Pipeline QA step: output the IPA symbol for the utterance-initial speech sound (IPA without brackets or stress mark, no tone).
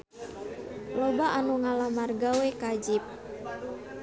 l